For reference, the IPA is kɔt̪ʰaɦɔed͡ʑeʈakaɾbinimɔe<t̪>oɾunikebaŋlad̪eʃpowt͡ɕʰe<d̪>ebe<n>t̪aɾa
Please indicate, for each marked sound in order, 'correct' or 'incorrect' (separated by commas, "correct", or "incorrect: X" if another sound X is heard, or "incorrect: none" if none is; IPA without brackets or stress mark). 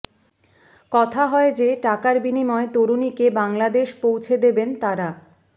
correct, correct, correct